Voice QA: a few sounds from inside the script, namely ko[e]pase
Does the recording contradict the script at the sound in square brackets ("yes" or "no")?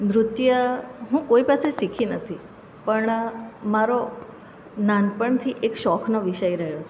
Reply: yes